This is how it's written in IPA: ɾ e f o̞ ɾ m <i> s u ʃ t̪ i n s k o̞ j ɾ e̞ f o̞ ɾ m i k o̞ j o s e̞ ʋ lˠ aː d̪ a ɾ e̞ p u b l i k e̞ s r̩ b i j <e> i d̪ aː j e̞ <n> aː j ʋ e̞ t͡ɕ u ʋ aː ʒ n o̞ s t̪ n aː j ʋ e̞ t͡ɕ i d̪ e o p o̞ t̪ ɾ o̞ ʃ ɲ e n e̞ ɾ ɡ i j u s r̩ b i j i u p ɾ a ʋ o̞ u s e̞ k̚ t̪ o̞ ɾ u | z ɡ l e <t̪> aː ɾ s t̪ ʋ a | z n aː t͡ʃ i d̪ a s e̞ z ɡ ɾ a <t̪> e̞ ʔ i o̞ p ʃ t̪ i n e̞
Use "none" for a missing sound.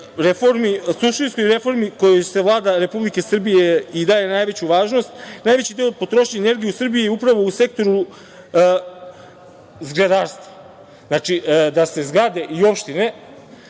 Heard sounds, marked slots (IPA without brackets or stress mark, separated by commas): i, e, n, d̪, d̪